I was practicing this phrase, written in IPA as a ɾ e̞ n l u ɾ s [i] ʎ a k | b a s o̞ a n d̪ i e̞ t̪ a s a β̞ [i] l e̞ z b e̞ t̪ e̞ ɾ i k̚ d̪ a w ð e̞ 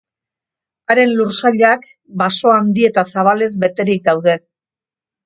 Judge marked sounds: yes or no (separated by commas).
no, no